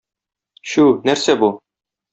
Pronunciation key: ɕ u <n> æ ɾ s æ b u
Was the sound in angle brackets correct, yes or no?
yes